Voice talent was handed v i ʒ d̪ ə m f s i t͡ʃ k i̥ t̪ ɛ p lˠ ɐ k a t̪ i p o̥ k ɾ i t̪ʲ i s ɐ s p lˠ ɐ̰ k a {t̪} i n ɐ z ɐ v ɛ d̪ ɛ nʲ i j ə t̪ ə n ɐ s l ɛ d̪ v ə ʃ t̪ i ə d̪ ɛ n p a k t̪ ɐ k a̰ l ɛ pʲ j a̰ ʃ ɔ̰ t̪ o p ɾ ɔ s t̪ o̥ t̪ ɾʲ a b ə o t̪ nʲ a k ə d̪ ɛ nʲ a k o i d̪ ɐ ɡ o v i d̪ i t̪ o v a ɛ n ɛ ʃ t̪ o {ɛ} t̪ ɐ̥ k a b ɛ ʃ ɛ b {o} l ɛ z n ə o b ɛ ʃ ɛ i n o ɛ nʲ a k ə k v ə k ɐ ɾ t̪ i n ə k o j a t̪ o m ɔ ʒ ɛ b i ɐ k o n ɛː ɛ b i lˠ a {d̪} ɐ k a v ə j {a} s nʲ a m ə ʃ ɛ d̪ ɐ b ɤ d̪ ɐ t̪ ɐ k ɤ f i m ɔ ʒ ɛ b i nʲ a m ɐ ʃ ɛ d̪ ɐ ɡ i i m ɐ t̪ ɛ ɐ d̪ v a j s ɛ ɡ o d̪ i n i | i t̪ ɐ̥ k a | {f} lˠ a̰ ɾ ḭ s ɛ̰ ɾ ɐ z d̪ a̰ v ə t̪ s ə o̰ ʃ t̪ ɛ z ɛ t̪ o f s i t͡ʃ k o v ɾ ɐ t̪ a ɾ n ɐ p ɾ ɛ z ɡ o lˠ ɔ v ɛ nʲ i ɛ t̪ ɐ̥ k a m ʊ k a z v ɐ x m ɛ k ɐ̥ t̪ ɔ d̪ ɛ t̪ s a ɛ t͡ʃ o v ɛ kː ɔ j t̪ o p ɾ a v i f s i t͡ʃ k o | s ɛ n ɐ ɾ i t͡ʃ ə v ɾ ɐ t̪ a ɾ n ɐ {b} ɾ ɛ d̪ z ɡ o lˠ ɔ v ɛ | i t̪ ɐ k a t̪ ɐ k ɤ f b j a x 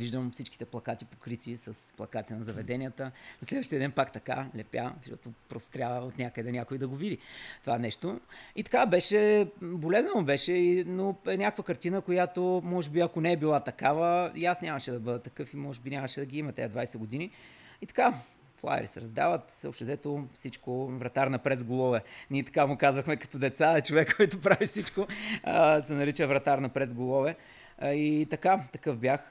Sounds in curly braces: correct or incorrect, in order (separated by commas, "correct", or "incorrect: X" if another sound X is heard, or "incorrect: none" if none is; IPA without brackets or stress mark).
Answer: correct, incorrect: i, correct, incorrect: t̪, correct, correct, incorrect: p